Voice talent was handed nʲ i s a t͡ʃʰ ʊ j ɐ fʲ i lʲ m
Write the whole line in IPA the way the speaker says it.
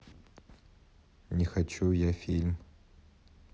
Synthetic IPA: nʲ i x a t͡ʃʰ u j a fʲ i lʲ m